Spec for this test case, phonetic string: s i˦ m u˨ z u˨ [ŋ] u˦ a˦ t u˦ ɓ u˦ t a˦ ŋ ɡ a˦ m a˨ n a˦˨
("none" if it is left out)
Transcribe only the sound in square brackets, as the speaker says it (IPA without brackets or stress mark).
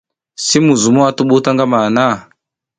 m